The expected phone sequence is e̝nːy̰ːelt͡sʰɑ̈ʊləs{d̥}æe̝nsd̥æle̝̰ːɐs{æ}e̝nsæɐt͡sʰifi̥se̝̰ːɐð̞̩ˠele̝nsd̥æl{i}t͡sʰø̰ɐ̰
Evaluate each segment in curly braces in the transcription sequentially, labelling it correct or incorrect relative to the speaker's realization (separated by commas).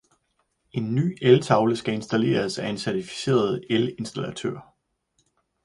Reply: incorrect, correct, incorrect